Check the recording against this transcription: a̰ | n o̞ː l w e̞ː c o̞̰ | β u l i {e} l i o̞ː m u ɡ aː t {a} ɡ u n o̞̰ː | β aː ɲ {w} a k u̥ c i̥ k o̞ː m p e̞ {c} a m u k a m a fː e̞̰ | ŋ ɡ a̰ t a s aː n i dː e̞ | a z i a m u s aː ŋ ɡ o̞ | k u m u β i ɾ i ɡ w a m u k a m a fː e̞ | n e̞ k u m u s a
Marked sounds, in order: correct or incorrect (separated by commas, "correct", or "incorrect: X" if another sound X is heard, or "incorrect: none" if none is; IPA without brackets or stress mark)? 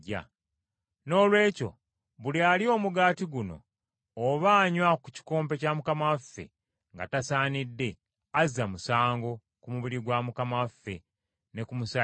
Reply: incorrect: a, incorrect: i, correct, correct